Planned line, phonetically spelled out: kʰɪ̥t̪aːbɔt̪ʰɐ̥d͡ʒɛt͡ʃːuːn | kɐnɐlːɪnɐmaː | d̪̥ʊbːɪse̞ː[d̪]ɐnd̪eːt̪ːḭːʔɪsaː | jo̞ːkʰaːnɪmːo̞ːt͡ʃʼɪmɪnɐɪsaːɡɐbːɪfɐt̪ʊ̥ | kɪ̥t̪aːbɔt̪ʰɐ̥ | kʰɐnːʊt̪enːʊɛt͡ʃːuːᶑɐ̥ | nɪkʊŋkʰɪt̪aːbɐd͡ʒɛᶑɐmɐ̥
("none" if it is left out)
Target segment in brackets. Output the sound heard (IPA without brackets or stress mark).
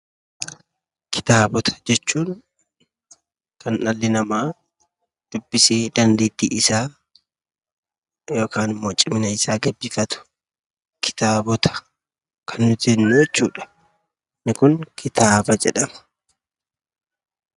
d̪